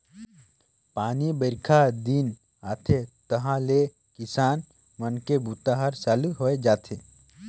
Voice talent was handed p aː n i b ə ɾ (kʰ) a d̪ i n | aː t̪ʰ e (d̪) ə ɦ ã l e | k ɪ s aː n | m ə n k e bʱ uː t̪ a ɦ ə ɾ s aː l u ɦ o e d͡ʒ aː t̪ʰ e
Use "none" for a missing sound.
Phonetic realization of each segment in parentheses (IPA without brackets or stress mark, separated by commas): kʰ, t̪